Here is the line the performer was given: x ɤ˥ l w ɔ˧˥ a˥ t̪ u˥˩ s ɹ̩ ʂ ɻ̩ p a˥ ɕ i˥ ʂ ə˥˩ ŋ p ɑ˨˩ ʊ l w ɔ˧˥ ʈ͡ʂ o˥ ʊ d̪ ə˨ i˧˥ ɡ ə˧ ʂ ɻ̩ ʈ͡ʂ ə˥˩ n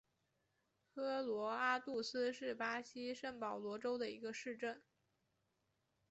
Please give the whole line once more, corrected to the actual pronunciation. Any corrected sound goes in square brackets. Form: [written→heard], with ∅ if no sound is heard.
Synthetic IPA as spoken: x ɤ˥ l w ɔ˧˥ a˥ t̪ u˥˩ s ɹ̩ ʂ ɻ̩ p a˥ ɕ i˥ ʂ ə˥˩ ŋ p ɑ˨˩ ʊ l w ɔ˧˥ ʈ͡ʂ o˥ ʊ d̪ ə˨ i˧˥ ɡ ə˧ ʂ ɻ̩ ʈ͡ʂ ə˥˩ n